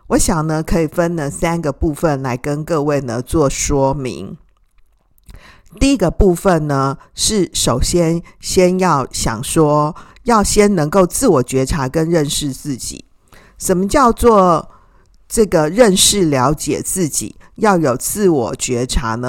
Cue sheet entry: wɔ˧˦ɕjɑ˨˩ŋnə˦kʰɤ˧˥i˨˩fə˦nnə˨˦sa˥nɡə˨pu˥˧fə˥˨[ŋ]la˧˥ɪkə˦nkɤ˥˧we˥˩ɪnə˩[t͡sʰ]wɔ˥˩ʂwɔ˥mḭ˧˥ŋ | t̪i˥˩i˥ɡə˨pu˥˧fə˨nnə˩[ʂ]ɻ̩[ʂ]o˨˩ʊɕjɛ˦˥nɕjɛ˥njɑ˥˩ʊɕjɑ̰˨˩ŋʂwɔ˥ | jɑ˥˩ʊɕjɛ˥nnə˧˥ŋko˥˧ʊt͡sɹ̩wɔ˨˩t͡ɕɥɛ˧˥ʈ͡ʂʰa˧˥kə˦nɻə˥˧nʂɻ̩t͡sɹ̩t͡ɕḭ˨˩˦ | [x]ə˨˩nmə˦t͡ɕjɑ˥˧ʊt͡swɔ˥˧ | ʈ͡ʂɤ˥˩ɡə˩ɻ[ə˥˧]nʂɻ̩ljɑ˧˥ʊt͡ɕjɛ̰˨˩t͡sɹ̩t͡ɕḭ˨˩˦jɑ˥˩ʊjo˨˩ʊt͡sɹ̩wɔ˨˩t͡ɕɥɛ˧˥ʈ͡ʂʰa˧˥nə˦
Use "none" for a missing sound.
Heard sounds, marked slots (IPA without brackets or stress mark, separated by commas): n, t͡s, ʂ, ʂ, ʂ, ə˥˧